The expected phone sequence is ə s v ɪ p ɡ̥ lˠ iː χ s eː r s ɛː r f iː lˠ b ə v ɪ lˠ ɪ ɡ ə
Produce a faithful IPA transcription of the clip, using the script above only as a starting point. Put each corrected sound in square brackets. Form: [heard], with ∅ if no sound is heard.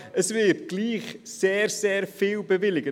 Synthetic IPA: ə s v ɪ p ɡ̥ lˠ iː χ s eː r s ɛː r f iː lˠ b ə v ɪ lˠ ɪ ɡ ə